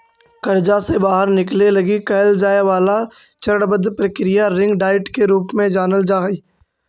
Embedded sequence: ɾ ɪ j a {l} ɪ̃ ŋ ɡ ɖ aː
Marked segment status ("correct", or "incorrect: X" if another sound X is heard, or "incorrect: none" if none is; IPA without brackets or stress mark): incorrect: ɾ